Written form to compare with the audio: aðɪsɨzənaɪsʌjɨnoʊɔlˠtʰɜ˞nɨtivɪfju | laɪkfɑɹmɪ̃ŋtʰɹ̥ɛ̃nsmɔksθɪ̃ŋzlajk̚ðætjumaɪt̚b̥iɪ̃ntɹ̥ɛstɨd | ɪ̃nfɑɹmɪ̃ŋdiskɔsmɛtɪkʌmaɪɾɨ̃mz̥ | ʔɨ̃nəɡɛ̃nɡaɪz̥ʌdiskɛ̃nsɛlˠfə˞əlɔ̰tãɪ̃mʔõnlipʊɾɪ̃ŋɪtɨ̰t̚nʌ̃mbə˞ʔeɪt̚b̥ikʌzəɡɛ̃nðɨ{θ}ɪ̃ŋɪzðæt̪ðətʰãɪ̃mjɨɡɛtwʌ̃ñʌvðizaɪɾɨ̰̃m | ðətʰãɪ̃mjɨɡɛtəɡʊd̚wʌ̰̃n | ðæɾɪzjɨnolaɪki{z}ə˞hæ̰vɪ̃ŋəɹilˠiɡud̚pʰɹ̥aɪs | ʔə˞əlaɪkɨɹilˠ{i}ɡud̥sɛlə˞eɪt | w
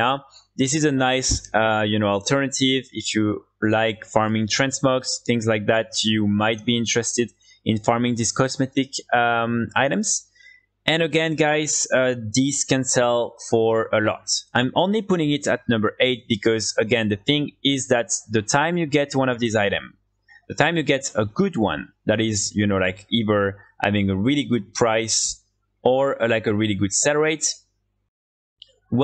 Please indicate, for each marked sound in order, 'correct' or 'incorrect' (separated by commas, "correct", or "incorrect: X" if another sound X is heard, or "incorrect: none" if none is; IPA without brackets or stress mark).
correct, incorrect: ð, correct